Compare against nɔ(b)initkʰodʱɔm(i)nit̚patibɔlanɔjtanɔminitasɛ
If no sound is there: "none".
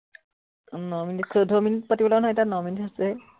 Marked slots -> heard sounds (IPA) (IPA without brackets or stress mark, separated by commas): m, i